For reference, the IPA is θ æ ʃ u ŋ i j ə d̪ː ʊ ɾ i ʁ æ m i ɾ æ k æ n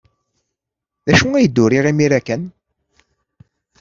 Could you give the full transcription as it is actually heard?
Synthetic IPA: ð æ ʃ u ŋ æ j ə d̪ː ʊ ɾ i ʁ i m i ɾ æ k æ n